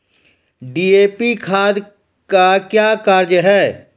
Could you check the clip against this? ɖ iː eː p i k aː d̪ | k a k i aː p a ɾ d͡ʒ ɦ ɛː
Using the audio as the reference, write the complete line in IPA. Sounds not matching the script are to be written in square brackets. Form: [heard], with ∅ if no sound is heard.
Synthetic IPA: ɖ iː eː p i [kʰ] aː d̪ | k a k [j] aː [k] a ɾ d͡ʒ ɦ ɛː